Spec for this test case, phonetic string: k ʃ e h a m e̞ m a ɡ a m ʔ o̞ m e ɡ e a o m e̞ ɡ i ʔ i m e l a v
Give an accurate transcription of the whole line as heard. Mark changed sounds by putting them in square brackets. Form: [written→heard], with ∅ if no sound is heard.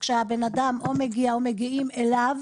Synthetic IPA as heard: k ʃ e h a [m→b] e̞ [m→n] a [ɡ→d] a m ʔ o̞ m e ɡ [e→i] a o m e̞ ɡ i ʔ i m e l a v